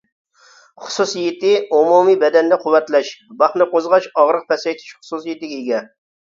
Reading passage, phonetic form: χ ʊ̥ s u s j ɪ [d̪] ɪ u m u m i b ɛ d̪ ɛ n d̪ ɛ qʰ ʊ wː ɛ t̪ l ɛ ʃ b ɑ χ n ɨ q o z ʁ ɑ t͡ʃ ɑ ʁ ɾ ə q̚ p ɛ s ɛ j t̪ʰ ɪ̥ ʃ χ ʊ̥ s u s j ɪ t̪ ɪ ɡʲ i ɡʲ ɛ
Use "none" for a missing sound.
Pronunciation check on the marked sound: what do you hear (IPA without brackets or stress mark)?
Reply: t̪